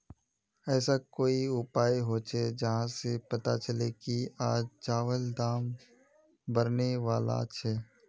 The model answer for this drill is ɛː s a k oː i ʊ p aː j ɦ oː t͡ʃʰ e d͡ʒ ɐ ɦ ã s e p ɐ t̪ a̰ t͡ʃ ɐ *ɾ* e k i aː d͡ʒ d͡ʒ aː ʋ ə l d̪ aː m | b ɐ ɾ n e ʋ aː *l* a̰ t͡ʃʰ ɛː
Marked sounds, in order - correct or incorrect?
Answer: incorrect, correct

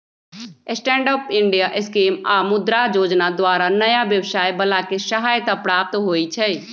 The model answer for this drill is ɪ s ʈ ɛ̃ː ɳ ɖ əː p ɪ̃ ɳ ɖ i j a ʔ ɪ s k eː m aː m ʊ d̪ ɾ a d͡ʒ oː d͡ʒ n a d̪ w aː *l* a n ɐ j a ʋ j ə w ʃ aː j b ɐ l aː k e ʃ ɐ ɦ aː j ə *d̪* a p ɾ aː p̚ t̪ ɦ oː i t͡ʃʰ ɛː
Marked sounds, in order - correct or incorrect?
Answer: incorrect, incorrect

